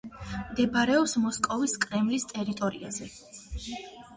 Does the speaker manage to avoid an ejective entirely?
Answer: no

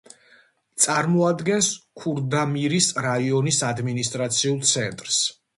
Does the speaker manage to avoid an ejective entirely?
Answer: no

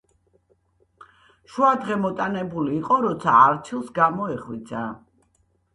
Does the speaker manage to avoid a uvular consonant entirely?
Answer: no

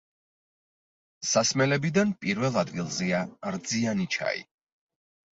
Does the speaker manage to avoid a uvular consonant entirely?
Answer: yes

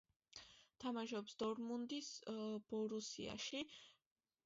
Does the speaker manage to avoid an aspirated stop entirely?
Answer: no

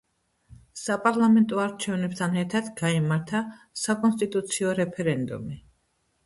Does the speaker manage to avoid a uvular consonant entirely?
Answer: yes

